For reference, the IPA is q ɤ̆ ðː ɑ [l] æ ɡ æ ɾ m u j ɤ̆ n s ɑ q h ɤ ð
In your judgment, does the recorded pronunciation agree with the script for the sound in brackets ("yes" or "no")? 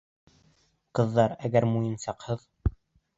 no